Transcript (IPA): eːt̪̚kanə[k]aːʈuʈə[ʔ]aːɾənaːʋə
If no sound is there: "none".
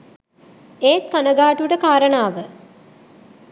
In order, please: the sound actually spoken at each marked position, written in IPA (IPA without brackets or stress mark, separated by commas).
ɡ, k